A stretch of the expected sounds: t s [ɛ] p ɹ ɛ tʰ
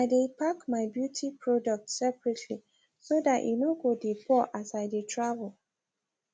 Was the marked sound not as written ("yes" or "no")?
no